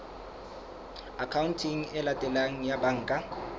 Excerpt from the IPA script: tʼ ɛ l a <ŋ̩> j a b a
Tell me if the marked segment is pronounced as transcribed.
yes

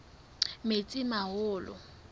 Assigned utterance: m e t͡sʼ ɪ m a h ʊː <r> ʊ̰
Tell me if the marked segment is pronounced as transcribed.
no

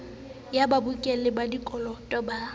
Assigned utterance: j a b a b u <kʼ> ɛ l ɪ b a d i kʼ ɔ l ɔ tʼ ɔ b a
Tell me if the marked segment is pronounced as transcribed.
yes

